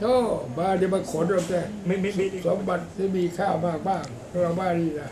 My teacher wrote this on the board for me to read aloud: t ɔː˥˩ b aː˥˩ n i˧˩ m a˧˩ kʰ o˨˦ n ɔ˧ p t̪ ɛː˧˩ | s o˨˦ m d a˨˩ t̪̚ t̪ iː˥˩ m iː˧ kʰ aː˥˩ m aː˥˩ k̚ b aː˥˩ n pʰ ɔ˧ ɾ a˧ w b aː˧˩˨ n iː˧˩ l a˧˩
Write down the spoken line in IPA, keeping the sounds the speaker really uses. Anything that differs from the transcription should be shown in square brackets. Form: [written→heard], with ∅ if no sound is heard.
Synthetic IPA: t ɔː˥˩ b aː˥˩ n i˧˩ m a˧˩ kʰ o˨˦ n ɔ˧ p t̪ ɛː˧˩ | s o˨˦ m [d→b] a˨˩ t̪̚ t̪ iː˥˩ m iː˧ kʰ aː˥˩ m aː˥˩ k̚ b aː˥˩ [n→ŋ] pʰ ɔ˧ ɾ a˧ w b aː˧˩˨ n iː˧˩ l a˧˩